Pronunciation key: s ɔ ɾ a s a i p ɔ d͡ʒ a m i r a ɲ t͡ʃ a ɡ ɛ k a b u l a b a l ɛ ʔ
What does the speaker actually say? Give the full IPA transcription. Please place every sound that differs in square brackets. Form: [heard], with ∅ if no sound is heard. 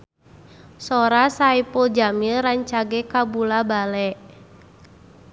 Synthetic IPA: s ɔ ɾ a s a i p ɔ d͡ʒ a m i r a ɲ t͡ʃ a ɡ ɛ k a b u l a b a l ɛ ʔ